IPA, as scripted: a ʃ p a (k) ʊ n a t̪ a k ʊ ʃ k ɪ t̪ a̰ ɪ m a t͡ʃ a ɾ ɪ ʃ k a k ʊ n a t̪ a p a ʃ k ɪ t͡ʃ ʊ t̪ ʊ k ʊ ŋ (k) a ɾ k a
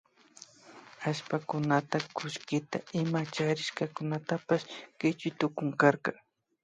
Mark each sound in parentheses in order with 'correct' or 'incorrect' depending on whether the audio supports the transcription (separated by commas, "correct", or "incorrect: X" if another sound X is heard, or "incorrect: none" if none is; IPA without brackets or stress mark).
correct, correct